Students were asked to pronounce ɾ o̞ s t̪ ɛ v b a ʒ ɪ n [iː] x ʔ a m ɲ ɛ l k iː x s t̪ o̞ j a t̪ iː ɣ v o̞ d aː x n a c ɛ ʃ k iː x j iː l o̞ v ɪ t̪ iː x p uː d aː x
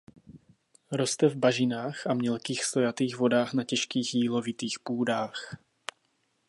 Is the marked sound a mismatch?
yes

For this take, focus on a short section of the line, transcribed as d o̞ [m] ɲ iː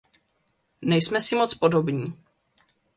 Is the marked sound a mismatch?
yes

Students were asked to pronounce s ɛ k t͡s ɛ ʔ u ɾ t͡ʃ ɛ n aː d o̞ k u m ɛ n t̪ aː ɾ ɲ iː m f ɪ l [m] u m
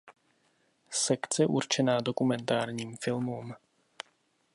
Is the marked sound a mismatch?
no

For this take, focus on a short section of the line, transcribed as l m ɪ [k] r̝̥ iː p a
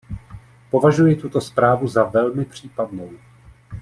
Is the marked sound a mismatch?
yes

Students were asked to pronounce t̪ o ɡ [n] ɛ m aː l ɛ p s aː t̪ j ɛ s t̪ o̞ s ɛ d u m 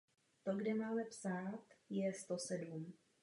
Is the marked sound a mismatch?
yes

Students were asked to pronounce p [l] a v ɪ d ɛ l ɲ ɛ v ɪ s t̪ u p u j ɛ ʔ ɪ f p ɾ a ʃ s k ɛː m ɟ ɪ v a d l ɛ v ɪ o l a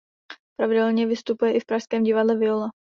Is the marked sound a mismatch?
yes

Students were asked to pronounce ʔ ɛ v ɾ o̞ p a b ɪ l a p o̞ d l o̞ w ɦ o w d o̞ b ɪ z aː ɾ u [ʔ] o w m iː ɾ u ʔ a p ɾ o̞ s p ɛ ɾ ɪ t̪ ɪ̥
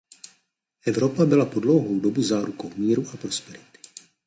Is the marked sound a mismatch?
yes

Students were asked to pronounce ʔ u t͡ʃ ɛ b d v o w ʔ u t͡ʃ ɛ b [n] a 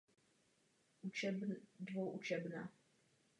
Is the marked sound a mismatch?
no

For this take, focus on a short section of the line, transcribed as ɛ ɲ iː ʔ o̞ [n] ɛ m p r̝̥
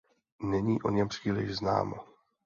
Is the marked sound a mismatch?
yes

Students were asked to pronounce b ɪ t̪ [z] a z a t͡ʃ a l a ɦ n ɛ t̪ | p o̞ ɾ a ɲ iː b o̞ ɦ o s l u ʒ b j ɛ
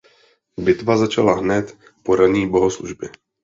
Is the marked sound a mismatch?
yes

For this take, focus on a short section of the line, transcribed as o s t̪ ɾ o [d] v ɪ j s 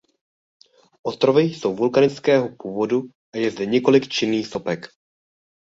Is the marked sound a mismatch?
yes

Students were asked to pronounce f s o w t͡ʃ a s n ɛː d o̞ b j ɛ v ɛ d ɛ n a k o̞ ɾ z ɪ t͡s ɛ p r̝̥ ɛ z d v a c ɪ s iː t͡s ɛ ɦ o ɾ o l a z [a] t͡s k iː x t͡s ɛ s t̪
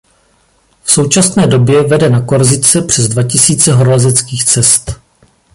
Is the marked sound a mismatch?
yes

